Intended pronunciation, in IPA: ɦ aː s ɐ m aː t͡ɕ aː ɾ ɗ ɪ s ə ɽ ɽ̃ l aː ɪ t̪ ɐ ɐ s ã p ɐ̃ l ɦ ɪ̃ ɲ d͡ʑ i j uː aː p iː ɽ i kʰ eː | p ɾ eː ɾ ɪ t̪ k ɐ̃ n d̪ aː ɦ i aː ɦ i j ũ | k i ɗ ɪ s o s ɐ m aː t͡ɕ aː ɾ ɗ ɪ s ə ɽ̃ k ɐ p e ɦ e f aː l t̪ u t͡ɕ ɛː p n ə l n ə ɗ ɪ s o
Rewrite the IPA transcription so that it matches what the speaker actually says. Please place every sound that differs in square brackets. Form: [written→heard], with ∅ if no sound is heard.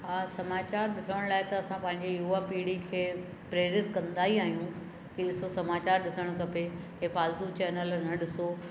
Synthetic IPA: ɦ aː s ɐ m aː t͡ɕ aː ɾ ɗ ɪ s ə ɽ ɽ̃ l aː ɪ t̪ ɐ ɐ s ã p ɐ̃ [l→∅] ɦ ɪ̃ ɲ d͡ʑ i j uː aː p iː ɽ i kʰ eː | p ɾ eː ɾ ɪ t̪ k ɐ̃ n d̪ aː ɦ i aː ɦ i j ũ | k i ɗ ɪ s o s ɐ m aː t͡ɕ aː ɾ ɗ ɪ s ə ɽ̃ k ɐ p e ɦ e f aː l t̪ u t͡ɕ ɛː [p→∅] n ə l n [ə→ɐ] ɗ ɪ s o